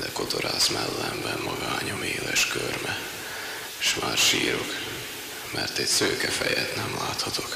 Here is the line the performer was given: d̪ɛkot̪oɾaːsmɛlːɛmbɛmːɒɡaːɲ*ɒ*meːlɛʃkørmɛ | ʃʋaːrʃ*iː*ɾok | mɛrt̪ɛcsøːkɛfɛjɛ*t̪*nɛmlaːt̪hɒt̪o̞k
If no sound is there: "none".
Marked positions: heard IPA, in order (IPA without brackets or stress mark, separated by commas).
o, iː, t̪